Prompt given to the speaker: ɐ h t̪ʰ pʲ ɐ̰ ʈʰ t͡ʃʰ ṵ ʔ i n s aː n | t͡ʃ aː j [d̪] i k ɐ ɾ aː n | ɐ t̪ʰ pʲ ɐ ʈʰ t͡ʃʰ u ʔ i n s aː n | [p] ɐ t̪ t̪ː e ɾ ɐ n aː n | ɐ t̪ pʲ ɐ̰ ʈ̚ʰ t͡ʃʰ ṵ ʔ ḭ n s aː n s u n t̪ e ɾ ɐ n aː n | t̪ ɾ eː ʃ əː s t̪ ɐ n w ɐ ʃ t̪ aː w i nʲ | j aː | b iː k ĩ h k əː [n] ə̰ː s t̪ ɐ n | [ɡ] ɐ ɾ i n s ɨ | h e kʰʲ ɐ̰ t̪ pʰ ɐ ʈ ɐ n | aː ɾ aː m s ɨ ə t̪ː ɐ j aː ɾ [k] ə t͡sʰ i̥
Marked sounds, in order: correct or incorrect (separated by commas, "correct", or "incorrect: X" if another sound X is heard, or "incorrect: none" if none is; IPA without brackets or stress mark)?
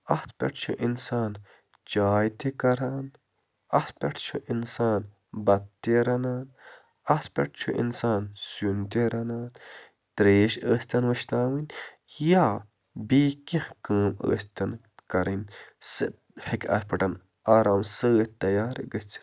incorrect: t̪, incorrect: b, incorrect: m, incorrect: k, incorrect: ɡ